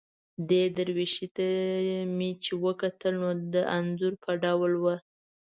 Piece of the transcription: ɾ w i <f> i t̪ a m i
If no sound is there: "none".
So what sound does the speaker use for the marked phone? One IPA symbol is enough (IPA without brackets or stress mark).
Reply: ʃ